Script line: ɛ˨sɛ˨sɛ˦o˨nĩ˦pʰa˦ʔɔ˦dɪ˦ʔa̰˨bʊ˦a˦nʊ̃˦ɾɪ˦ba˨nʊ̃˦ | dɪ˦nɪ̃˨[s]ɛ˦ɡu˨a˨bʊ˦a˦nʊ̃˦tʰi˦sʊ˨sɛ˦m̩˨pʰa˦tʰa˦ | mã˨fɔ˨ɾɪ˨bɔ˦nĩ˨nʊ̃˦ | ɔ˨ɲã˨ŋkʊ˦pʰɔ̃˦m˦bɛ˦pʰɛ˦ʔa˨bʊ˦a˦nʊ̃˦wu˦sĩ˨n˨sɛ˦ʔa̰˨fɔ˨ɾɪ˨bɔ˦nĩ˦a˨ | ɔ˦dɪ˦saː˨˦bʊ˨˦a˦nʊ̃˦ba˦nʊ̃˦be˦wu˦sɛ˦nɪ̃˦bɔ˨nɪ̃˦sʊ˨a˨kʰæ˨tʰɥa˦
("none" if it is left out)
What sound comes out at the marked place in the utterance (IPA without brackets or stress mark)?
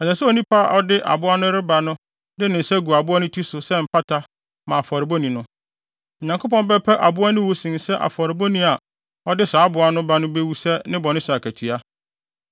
s